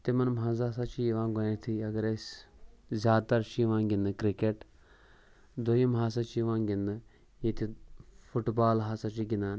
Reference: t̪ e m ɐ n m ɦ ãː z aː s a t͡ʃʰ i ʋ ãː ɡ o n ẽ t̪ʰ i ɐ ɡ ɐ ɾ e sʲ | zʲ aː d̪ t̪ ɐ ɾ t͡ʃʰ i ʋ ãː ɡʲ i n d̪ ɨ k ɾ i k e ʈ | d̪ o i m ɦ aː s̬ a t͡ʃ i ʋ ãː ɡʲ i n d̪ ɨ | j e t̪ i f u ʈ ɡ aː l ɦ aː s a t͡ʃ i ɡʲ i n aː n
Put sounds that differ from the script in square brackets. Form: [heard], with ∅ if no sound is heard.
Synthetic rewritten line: t̪ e m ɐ n m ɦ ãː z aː s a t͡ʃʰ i ʋ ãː ɡ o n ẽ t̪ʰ i ɐ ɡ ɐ ɾ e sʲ | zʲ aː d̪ t̪ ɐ ɾ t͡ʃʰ i ʋ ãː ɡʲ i n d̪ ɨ k ɾ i k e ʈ | d̪ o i m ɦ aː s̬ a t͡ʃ i ʋ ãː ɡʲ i n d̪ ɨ | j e t̪ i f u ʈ [b] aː l ɦ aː s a t͡ʃ i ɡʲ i n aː n